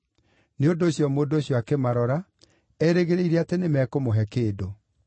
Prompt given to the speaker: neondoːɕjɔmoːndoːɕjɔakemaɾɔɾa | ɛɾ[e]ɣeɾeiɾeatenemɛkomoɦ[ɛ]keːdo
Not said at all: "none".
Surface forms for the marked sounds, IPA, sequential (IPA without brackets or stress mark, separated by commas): e, ɛ